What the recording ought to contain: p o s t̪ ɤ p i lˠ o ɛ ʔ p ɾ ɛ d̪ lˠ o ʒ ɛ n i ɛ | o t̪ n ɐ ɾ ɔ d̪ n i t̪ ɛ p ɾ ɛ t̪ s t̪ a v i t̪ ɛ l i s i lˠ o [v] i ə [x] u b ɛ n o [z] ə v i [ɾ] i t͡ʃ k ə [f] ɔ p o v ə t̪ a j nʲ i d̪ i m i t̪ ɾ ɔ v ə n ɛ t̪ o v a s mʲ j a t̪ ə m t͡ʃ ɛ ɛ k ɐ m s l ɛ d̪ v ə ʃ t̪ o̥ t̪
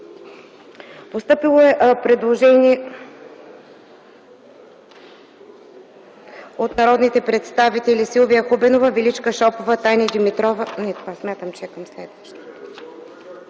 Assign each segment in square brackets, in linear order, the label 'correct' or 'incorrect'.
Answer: correct, correct, incorrect, incorrect, incorrect

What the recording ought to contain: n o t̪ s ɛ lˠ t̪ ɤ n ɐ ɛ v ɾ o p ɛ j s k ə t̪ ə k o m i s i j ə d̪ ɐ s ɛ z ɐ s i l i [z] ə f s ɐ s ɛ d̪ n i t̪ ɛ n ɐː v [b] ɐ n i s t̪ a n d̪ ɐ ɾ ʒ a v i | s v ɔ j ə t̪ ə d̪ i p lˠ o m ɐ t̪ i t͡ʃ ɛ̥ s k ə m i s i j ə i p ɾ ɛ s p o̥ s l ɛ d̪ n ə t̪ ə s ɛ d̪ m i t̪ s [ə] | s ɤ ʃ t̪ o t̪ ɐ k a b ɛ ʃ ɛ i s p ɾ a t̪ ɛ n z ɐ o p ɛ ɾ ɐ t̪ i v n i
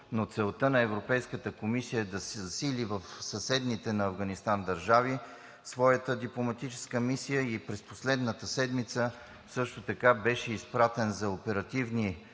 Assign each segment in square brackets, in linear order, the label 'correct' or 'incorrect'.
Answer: incorrect, incorrect, correct

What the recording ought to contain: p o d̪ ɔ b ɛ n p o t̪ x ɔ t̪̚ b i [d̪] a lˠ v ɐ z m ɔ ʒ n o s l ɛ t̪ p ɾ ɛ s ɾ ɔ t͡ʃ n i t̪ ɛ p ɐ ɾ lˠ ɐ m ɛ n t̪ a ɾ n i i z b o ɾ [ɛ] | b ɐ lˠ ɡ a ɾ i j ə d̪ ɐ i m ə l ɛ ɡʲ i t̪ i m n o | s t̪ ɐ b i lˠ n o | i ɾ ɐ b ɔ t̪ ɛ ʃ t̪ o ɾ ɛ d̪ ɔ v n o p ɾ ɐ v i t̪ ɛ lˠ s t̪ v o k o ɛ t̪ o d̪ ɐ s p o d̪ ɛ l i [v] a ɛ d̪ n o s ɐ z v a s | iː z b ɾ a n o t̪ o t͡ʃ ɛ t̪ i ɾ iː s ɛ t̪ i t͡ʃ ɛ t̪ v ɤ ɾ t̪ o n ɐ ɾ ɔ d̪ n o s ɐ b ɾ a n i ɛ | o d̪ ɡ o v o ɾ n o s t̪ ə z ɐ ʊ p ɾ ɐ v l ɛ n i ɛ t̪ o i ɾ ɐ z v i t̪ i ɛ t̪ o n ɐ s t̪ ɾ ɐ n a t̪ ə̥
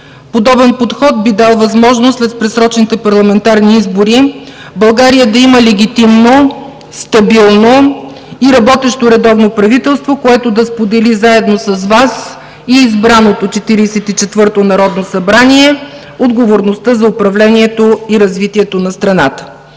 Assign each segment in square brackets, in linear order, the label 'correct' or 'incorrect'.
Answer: correct, incorrect, incorrect

